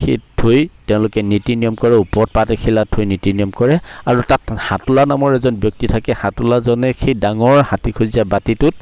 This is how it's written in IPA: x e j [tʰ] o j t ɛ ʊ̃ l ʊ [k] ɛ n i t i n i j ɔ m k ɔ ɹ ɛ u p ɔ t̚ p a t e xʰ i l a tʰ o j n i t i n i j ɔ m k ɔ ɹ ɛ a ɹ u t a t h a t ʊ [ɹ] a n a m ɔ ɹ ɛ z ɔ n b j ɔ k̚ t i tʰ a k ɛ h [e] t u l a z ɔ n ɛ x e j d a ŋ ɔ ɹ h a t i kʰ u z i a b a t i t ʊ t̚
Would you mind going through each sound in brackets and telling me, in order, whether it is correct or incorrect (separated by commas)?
correct, correct, incorrect, incorrect